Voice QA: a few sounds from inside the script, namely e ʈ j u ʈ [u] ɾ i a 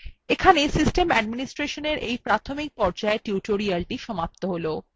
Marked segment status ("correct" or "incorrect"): incorrect